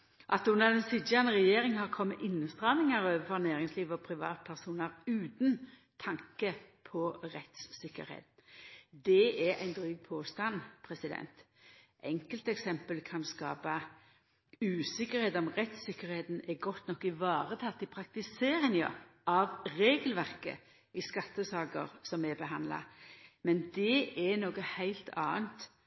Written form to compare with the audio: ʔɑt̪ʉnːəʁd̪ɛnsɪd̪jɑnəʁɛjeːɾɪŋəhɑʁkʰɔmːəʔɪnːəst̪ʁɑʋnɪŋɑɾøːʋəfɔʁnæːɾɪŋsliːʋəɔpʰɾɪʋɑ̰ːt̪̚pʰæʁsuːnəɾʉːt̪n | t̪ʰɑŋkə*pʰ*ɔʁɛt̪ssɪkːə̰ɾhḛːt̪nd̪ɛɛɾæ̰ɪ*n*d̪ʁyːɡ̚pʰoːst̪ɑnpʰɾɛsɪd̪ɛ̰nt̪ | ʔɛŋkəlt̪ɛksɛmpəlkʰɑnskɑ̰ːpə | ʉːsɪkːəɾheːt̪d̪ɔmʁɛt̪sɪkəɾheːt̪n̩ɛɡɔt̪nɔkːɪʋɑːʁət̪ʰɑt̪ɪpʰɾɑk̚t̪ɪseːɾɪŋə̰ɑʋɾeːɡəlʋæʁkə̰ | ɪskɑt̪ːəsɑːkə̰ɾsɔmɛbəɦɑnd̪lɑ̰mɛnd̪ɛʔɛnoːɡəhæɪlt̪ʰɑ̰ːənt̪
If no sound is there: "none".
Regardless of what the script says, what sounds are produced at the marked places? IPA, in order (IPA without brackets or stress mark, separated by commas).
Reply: pʰ, n